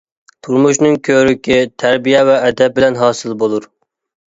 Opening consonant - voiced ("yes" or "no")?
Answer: no